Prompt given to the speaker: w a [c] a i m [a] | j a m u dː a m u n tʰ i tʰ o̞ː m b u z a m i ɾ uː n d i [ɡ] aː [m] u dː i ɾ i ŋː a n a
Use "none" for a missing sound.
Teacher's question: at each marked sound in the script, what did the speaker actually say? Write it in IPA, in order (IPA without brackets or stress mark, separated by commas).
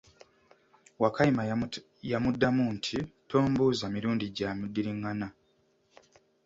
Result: k, a, ɟ, m